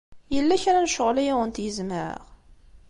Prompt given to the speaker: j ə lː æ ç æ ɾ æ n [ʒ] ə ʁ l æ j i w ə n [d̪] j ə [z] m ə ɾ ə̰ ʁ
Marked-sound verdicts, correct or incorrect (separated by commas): incorrect, incorrect, correct